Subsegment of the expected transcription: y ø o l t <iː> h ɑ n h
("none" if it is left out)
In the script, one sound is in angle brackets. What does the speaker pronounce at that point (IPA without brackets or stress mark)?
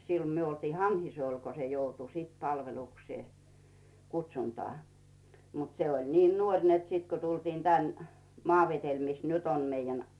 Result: iː